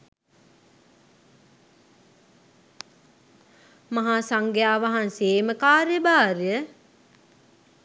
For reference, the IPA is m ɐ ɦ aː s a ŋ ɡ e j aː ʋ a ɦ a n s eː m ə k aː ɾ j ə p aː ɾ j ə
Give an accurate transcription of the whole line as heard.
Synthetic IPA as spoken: m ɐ ɦ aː s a ŋ ɡ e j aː ʋ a ɦ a n s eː m ə k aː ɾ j ə b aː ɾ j ə